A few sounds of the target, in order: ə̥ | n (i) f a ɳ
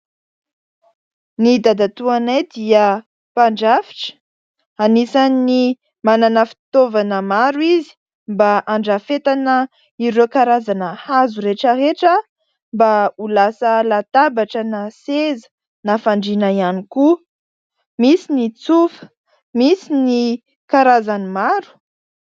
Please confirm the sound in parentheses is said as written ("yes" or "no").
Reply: no